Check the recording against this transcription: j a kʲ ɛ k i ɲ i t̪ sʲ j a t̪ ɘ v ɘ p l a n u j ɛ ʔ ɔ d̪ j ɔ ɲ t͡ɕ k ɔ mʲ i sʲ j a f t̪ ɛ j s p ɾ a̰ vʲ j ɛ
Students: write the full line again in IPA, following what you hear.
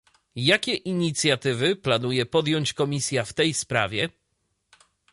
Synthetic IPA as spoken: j a kʲ ɛ ʔ i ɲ i t̪ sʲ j a t̪ ɘ v ɘ p l a n u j ɛ p ɔ d̪ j ɔ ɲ t͡ɕ k ɔ mʲ i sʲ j a f t̪ ɛ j s p ɾ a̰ vʲ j ɛ